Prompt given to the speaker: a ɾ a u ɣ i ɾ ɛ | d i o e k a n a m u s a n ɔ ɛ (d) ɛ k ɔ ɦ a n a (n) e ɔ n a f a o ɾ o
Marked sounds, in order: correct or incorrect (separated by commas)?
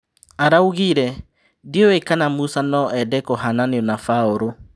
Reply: correct, correct